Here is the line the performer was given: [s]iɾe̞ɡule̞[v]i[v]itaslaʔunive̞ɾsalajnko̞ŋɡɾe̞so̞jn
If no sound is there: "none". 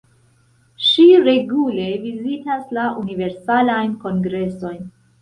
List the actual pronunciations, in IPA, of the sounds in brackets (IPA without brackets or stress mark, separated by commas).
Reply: ʃ, v, z